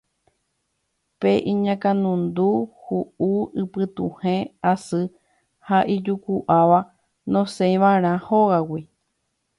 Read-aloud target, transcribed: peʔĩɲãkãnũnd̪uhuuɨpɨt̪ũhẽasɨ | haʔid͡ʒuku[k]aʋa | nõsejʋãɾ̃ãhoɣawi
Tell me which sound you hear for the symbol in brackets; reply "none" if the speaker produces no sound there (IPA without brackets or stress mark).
ʔ